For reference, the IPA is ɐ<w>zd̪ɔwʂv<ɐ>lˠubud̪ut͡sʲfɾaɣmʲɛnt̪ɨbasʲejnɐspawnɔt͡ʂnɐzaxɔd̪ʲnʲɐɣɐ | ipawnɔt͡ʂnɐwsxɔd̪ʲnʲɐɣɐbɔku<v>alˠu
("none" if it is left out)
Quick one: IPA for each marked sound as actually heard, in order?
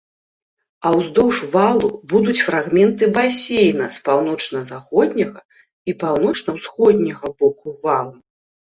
w, a, v

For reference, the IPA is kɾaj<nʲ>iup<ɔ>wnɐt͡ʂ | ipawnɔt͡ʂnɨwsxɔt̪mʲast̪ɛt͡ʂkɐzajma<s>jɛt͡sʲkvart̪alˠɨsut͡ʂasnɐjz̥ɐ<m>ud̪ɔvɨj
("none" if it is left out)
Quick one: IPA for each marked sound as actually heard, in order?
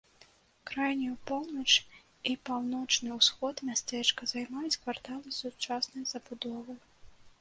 nʲ, ɔ, none, b

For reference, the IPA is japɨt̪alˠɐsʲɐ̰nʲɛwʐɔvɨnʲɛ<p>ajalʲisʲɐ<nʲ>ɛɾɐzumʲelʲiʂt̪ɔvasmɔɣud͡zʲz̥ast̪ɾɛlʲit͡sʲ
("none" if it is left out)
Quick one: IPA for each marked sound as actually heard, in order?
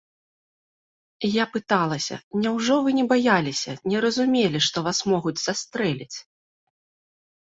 b, nʲ

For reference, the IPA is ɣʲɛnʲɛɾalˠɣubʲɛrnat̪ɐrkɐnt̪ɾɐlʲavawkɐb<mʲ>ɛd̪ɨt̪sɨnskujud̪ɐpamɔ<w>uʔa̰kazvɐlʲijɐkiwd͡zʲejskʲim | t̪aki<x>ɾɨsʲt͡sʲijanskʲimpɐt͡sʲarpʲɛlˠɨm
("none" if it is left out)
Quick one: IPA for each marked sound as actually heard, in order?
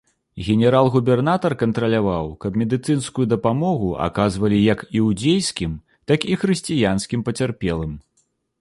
mʲ, ɣ, x

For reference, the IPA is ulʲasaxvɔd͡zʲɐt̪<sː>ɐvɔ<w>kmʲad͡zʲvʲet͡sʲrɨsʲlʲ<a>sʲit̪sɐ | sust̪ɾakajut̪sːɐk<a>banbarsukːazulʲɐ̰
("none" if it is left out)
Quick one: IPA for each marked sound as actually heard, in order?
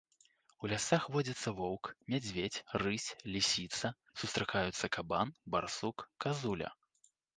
sː, w, i, a

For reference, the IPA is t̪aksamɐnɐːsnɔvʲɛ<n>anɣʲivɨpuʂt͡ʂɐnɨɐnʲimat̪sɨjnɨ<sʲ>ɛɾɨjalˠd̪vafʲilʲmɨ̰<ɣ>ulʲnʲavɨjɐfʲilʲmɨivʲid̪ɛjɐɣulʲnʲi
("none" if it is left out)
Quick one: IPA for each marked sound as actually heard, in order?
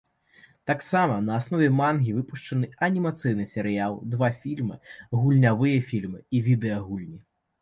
m, sʲ, ɣ

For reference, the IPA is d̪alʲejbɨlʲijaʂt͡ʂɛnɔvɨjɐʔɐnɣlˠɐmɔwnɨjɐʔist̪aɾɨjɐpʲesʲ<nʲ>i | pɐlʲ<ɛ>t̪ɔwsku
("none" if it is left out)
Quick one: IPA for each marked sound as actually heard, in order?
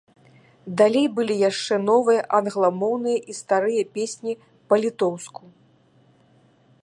nʲ, i

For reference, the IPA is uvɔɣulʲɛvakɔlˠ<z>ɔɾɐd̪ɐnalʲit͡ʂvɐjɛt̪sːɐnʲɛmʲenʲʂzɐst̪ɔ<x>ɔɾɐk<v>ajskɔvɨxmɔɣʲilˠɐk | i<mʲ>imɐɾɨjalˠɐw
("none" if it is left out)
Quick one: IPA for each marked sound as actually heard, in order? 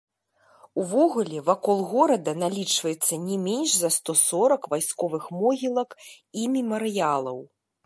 ɣ, s, v, mʲ

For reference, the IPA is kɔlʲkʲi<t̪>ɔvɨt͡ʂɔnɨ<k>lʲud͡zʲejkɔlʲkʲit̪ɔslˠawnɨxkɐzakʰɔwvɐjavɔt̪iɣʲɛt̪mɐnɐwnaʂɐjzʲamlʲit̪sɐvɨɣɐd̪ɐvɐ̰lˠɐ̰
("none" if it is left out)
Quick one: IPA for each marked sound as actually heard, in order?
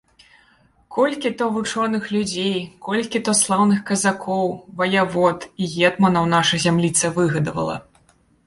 t̪, x

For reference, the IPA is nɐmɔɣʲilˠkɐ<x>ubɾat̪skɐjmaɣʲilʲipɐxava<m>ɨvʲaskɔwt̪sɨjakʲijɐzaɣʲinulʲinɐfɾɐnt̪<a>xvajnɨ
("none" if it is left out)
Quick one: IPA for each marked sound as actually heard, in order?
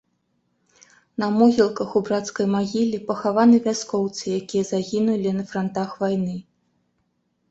x, n, a

